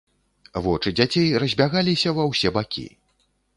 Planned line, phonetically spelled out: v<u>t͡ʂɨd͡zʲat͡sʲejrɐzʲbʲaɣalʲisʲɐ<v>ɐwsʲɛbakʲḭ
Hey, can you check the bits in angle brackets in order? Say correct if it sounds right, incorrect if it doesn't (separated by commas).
incorrect, correct